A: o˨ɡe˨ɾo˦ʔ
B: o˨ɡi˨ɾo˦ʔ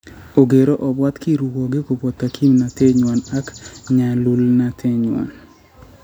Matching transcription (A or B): A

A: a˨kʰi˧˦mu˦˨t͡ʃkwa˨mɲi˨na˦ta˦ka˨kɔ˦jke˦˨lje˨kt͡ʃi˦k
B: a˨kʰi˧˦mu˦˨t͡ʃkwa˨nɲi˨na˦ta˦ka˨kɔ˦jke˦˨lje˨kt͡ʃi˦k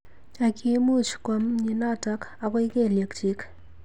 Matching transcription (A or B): A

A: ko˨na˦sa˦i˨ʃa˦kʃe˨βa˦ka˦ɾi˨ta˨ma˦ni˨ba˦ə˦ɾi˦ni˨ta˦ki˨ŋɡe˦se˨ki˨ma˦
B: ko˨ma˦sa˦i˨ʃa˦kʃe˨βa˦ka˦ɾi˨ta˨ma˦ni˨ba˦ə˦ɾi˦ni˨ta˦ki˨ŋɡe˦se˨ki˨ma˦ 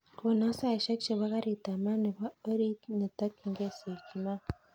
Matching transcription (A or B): A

